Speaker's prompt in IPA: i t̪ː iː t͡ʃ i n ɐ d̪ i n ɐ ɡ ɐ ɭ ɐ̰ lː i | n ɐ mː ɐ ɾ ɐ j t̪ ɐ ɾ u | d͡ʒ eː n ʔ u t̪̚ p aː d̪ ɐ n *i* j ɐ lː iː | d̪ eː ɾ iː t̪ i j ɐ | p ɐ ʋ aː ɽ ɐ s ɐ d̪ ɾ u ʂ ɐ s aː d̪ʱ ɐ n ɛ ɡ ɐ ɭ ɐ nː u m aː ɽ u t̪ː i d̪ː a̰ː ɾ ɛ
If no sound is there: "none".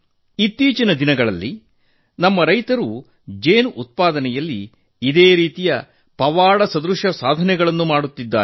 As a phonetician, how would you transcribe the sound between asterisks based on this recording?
ɛ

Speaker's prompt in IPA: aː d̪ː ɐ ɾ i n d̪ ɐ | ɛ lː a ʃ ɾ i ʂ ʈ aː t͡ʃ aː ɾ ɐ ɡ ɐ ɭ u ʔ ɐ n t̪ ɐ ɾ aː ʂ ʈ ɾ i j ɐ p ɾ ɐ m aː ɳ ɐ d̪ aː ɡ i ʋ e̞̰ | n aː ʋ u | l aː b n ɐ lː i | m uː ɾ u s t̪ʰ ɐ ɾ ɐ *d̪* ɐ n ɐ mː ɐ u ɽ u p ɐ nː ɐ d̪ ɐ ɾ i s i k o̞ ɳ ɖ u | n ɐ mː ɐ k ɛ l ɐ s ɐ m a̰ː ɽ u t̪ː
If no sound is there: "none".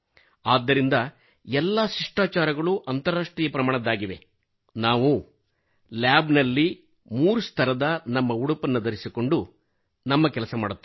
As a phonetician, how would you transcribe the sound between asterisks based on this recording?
d̪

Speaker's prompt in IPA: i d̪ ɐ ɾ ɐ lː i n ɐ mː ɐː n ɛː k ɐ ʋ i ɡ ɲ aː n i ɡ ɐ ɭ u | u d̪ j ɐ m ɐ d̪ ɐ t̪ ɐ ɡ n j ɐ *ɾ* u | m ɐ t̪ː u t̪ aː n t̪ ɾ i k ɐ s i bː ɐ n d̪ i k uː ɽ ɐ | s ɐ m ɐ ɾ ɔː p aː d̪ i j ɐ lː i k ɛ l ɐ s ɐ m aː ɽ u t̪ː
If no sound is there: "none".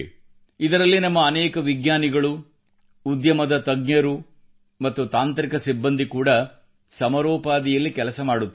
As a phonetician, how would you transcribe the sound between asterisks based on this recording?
ɾ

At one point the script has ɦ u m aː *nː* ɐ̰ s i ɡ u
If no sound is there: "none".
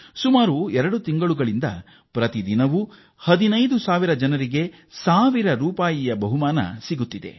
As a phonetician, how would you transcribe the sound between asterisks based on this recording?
n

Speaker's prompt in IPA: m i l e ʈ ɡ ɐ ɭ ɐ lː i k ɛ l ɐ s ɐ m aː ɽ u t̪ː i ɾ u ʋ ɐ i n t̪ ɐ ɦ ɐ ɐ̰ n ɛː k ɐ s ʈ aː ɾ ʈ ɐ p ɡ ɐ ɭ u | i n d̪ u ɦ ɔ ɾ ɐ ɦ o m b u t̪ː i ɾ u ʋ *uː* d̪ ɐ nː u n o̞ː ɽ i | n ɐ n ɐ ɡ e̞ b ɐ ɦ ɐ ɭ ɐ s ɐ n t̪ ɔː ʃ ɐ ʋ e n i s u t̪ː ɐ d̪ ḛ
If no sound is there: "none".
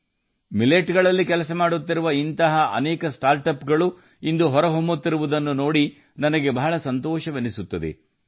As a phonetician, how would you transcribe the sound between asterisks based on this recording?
u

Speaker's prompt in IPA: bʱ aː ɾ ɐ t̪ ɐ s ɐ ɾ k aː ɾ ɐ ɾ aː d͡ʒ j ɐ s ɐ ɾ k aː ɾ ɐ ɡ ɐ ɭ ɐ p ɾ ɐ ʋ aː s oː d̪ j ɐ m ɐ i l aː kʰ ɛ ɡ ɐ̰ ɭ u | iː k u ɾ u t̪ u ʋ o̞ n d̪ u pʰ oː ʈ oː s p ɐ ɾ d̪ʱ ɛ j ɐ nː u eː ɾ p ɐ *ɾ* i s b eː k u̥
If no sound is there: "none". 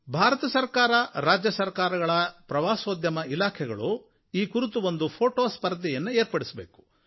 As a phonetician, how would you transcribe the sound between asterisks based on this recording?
ɽ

